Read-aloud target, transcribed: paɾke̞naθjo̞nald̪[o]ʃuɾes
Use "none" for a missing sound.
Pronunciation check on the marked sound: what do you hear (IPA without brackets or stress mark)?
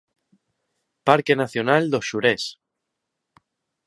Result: o